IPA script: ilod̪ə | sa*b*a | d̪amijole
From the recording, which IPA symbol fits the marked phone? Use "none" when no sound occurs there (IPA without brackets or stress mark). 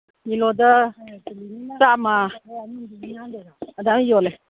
m